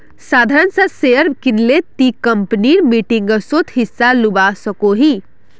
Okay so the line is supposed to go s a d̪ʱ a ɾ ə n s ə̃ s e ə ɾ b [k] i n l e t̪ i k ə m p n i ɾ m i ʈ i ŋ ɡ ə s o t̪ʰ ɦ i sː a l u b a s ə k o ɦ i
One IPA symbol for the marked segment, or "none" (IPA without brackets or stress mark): k